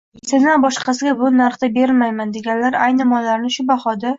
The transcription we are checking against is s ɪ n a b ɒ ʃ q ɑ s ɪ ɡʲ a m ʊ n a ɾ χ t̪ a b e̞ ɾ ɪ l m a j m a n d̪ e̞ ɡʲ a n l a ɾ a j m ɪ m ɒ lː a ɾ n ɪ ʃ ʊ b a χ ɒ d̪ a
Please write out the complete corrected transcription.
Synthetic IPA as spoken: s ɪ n a b ɒ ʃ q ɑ s ɪ ɡʲ a b ʊ n a ɾ χ t̪ a b e̞ ɾ ɪ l m a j m a n d̪ e̞ ɡʲ a n l a ɾ a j n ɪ m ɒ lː a ɾ n ɪ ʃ ʊ b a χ ɒ d̪ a